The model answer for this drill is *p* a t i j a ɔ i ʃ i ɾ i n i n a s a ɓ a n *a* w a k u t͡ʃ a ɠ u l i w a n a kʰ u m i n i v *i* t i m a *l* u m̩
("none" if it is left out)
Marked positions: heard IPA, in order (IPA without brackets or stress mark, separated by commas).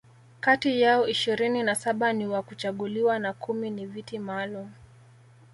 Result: k, i, i, l